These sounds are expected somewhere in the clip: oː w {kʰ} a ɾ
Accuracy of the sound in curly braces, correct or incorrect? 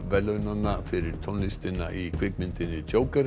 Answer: incorrect: k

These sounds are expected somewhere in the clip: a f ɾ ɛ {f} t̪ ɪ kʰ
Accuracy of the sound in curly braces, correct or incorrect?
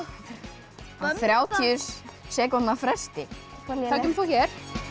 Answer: incorrect: s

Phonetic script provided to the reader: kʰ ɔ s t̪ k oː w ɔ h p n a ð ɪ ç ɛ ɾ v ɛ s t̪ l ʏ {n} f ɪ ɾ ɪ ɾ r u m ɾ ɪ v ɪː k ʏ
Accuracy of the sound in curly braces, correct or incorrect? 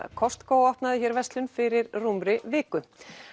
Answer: correct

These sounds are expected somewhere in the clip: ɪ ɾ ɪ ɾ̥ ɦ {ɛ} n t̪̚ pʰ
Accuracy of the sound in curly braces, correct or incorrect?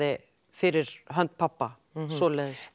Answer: incorrect: œ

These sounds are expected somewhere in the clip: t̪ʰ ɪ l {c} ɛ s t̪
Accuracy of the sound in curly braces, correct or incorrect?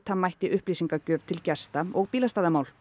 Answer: correct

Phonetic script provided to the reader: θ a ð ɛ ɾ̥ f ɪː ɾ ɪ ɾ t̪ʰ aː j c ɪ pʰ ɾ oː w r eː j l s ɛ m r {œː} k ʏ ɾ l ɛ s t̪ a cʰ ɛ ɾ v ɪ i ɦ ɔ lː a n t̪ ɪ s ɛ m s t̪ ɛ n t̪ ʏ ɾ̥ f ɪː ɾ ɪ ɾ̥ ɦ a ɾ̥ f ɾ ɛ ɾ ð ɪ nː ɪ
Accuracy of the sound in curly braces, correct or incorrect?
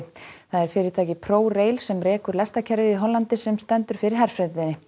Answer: incorrect: ɛː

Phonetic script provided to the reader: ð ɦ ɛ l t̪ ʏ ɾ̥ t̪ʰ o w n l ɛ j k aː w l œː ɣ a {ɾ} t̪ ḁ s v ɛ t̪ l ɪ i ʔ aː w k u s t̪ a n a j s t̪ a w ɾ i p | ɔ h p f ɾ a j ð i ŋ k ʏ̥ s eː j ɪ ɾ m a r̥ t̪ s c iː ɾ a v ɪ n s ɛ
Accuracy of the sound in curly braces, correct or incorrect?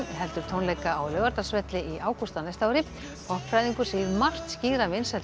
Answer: correct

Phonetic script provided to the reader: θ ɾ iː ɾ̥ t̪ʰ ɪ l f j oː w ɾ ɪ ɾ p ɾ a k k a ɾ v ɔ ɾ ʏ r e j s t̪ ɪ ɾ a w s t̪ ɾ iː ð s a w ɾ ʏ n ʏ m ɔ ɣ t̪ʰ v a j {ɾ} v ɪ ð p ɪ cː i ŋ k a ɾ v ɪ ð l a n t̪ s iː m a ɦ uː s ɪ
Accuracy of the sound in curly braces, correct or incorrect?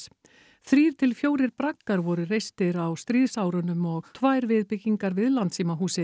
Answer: correct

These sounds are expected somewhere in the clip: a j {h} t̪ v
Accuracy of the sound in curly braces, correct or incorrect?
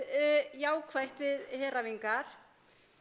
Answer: correct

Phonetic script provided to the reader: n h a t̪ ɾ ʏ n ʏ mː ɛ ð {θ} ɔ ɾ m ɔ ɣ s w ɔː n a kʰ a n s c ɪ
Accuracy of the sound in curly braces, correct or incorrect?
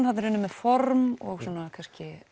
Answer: incorrect: f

